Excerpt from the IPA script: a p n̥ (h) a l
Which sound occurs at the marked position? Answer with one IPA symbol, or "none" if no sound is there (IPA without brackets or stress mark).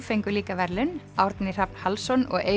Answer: h